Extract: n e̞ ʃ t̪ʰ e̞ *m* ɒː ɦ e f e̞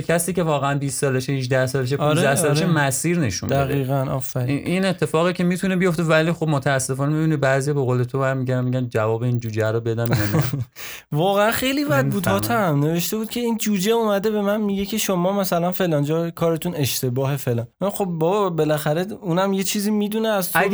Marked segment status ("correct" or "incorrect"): incorrect